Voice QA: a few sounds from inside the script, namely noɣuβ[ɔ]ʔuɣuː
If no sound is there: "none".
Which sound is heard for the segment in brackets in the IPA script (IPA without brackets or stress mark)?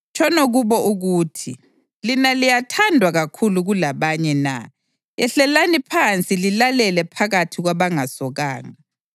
ɔ